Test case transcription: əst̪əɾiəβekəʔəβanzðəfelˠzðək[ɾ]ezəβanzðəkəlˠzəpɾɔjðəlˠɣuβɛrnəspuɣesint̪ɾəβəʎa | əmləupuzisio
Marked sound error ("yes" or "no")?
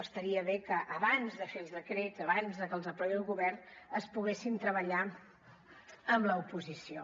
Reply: no